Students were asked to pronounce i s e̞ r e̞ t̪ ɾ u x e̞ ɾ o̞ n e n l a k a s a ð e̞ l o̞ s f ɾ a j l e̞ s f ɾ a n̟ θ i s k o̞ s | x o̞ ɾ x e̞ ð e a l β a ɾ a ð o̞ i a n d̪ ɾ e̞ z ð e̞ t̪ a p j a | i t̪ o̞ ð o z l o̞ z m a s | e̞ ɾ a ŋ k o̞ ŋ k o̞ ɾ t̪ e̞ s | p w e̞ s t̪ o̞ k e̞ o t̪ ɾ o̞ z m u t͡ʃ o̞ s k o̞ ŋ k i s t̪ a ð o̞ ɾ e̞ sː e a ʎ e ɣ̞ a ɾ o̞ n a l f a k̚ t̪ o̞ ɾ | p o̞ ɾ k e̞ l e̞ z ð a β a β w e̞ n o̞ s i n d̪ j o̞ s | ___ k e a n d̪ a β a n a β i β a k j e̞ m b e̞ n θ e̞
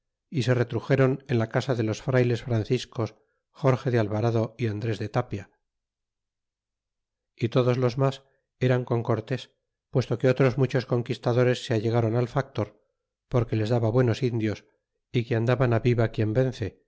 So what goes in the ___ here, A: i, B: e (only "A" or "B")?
A